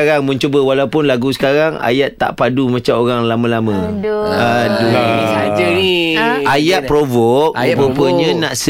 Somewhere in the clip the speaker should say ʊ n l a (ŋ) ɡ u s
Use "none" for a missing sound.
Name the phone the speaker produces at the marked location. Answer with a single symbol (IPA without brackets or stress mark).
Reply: none